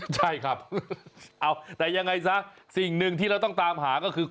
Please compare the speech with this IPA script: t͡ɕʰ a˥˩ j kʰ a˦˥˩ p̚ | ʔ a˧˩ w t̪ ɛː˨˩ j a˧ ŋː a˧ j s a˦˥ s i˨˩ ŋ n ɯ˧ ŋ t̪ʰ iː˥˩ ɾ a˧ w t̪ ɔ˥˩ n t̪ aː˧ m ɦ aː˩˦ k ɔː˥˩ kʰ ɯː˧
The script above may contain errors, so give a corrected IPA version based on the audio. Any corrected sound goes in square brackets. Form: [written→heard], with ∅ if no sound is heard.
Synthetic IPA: t͡ɕʰ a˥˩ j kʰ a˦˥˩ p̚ | ʔ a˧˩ w t̪ ɛː˨˩ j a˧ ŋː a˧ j s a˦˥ s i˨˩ ŋ n ɯ˧ ŋ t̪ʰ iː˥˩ ɾ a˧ w t̪ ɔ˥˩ [n→ŋ] t̪ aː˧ m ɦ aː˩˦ k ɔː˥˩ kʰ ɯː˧